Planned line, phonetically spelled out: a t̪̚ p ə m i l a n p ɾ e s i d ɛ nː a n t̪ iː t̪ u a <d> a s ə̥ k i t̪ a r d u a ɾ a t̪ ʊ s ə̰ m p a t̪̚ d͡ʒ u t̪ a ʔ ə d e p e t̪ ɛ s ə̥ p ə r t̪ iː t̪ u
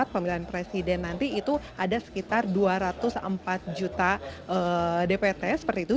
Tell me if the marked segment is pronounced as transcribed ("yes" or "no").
yes